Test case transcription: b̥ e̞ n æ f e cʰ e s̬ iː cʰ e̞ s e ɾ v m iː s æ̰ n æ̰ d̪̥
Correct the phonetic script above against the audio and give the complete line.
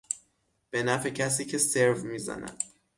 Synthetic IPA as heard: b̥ e̞ n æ f e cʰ æ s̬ iː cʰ e̞ s e ɾ v m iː z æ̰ n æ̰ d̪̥